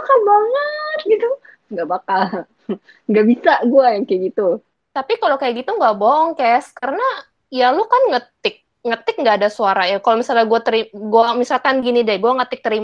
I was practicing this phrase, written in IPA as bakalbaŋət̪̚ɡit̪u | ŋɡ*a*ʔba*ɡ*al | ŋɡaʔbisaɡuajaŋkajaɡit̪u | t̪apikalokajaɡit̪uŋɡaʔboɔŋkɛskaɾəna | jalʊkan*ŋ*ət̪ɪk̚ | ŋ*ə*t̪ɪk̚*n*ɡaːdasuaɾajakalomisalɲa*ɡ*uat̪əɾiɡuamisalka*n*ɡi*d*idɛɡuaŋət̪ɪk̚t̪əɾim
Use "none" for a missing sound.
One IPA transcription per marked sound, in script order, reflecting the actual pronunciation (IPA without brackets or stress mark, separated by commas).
a, k, ŋ, ə, ŋ, ɡ, n, n